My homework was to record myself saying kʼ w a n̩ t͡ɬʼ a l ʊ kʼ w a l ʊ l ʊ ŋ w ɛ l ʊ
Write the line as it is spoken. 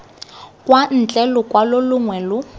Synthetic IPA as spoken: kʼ w a n̩ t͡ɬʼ ɛ l ʊ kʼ w a l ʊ l ʊ ŋ w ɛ l ʊ